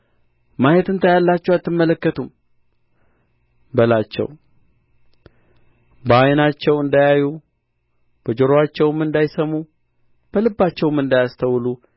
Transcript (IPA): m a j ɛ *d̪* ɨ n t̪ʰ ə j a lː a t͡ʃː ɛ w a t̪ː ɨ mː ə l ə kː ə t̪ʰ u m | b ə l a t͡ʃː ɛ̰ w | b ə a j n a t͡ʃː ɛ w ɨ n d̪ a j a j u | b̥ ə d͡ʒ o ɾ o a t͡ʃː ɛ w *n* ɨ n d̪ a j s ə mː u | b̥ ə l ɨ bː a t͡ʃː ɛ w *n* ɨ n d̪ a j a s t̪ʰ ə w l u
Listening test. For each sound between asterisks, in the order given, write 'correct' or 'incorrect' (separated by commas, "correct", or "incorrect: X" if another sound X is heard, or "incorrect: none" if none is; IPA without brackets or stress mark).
incorrect: t̪, incorrect: m, incorrect: m